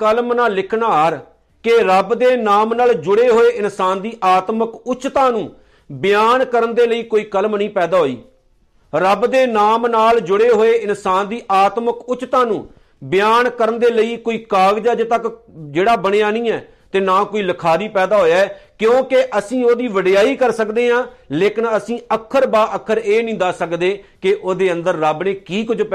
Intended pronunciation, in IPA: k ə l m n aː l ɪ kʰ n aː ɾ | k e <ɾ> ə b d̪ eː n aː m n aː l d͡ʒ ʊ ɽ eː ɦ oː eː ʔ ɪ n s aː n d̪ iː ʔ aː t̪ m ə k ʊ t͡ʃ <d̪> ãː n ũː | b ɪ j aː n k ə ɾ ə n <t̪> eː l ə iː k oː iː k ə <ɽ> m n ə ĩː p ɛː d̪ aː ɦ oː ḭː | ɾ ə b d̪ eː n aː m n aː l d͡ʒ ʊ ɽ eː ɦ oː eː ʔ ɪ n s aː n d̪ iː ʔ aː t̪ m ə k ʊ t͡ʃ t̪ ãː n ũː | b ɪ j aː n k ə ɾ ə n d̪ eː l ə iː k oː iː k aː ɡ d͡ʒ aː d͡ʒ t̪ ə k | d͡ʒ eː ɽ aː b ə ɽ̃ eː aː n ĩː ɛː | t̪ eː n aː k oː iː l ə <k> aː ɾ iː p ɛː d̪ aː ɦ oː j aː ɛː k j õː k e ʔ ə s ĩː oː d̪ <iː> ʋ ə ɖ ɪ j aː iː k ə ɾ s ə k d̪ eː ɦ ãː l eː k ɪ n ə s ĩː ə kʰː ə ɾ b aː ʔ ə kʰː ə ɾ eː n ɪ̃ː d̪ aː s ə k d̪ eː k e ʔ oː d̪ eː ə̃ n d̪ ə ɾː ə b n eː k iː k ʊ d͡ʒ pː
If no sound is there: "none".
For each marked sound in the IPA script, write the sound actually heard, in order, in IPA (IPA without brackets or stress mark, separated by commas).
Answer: ɾ, t̪, d̪, l, kʰ, iː